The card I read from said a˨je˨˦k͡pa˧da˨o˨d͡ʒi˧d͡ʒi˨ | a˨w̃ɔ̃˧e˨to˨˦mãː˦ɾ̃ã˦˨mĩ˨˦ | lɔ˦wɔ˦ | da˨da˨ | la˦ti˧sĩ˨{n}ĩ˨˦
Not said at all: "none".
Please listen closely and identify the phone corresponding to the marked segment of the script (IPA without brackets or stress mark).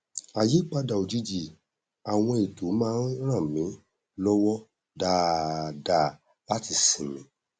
m